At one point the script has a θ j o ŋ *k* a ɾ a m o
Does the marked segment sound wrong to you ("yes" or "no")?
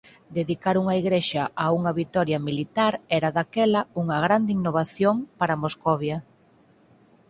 yes